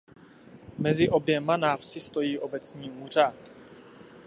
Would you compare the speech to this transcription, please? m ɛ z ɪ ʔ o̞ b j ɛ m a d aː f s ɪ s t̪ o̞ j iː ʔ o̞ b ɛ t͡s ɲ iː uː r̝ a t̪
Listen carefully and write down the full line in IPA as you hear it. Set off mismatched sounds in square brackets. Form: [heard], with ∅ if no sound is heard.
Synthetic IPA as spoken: m ɛ z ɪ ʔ o̞ b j ɛ m a [n] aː f s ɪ s t̪ o̞ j iː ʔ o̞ b ɛ t͡s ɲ iː uː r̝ a t̪